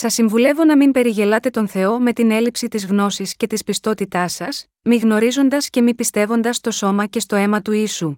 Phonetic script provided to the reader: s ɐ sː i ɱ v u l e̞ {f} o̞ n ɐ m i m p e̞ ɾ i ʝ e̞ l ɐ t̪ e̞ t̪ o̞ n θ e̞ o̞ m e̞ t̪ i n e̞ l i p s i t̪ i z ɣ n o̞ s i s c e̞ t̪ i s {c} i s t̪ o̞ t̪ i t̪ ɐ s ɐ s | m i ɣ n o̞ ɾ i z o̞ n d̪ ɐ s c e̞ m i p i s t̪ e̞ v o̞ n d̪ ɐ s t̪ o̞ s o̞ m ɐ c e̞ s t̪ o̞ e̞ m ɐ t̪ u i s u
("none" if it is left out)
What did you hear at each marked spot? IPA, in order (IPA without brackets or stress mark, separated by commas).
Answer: v, p